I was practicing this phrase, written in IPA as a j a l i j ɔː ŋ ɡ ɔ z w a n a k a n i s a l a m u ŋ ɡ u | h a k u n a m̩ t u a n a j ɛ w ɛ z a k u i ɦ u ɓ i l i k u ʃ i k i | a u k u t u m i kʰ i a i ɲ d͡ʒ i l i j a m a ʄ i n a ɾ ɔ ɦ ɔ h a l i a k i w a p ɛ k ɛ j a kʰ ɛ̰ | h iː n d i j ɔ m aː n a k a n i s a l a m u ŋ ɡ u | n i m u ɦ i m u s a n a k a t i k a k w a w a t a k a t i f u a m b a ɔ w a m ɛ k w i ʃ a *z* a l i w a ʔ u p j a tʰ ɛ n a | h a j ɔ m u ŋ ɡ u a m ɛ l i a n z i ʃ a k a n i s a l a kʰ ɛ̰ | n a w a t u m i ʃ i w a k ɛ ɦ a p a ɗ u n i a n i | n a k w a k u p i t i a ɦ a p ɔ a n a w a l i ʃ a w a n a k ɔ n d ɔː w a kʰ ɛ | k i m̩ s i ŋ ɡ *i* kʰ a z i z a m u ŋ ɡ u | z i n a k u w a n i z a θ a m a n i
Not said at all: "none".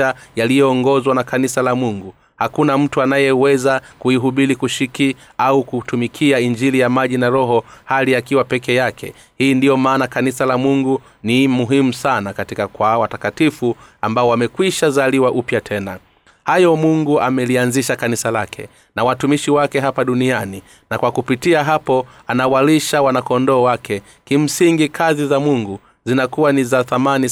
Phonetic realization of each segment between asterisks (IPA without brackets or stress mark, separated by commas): z, i